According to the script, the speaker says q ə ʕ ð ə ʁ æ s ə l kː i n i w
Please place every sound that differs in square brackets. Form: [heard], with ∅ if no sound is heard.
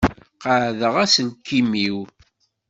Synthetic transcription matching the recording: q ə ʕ ð ə ʁ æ s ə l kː i [m] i w